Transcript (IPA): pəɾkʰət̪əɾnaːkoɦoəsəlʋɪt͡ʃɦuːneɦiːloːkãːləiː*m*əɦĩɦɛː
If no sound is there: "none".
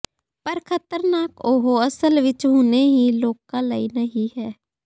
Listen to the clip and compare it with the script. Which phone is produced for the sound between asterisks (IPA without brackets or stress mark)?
n